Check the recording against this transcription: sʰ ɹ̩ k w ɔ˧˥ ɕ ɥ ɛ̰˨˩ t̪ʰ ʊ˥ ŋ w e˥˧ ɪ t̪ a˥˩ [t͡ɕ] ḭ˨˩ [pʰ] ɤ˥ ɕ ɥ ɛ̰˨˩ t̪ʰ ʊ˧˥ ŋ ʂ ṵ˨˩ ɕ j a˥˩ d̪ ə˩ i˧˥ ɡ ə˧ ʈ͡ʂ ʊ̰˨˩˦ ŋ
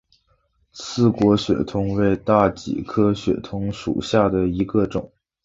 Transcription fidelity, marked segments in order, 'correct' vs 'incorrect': correct, incorrect

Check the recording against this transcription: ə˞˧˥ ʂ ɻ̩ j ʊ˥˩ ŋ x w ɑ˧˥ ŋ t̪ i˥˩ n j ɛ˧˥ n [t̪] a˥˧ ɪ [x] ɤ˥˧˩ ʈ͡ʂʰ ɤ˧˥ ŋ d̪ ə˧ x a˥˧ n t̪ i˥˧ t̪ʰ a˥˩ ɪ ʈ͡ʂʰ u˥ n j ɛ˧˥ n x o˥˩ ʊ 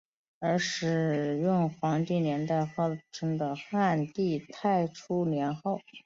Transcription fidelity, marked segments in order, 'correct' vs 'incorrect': correct, correct

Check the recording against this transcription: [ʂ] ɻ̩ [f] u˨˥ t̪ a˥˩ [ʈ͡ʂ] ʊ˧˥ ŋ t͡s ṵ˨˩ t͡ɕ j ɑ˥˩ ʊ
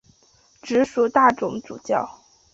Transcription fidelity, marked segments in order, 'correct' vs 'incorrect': incorrect, incorrect, correct

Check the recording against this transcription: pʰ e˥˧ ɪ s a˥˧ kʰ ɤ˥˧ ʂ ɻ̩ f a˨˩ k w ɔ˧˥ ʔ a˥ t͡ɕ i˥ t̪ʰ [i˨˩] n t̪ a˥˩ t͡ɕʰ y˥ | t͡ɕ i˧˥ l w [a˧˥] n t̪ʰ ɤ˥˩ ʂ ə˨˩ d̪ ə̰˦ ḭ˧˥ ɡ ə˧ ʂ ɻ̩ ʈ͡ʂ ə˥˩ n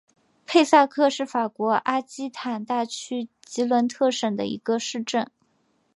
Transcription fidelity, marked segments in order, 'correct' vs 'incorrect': incorrect, incorrect

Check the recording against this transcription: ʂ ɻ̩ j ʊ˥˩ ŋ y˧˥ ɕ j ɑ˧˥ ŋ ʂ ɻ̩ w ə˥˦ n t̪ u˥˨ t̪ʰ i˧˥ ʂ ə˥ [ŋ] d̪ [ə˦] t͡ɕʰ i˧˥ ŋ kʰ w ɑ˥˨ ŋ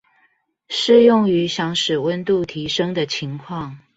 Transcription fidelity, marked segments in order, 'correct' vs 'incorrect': correct, incorrect

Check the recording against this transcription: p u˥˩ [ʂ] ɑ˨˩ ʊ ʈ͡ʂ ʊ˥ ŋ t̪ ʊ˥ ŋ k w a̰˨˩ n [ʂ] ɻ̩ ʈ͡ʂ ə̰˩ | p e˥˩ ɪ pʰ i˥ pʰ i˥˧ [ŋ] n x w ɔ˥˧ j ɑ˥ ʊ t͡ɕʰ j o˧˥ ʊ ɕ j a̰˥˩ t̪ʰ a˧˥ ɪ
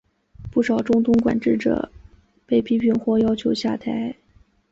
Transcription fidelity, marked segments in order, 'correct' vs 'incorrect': correct, incorrect, incorrect

